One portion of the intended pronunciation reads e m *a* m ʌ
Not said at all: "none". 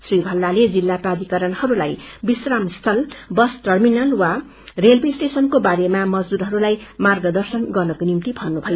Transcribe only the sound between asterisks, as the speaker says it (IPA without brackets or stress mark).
a